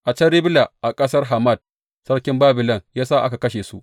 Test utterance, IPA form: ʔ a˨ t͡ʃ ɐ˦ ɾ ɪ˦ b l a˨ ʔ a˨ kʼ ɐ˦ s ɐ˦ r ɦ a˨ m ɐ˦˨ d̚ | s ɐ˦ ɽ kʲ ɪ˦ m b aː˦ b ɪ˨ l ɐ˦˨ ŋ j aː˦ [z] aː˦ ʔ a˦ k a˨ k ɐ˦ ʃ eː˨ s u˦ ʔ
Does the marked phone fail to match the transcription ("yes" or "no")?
yes